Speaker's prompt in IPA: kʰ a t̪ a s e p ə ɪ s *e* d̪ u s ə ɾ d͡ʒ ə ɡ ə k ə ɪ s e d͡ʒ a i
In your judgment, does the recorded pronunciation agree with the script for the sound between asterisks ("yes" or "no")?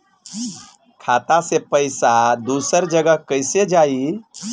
no